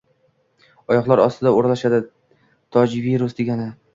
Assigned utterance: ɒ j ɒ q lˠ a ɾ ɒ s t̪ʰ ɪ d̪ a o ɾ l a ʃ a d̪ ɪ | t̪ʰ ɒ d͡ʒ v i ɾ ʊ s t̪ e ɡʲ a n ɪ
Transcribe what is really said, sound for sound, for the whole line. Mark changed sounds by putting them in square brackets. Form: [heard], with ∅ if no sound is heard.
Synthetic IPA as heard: ɒ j ɒ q lˠ a ɾ ɒ s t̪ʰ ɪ d̪ a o ɾ l a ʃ a d̪ ɪ | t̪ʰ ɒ d͡ʒ v i ɾ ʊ s [d̪] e ɡʲ a n ɪ